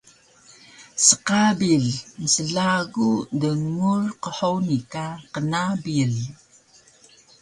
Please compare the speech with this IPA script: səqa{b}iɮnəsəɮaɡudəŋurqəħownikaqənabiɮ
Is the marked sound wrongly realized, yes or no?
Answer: no